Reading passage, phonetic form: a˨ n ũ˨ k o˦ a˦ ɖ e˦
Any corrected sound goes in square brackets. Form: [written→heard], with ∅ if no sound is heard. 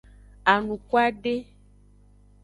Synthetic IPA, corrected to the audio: a˨ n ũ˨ k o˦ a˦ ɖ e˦